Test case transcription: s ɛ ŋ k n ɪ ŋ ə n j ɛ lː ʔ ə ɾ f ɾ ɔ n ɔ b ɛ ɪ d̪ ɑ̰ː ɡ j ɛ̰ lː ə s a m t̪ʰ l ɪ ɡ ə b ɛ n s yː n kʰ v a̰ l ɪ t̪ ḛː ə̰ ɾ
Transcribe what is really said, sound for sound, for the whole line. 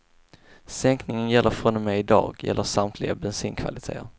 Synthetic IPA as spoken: s ɛ ŋ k n ɪ ŋ ə n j ɛ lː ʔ ə ɾ f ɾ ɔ n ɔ m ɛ ɪ d̪ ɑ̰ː ɡ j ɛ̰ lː ə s a m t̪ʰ l ɪ ɡ a b ɛ n s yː n kʰ v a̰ l ɪ t̪ʰ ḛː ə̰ ɾ